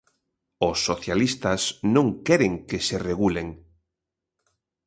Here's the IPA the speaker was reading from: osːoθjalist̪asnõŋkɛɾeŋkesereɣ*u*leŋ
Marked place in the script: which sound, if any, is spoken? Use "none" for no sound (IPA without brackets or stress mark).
u